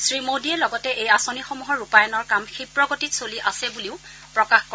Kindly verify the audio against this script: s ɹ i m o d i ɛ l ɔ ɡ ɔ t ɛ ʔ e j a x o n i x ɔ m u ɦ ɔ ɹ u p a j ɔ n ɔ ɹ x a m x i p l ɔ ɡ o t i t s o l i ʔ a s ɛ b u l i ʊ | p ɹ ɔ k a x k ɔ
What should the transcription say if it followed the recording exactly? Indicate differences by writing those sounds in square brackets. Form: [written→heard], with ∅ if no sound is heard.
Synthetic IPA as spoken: s ɹ i m o d i ɛ l ɔ ɡ ɔ t ɛ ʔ e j a [x→s] o n i x ɔ m u ɦ ɔ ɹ u p a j ɔ n ɔ ɹ [x→k] a m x i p [l→ɹ] ɔ ɡ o t i t s o l i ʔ a s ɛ b u l i ʊ | p ɹ ɔ k a x k ɔ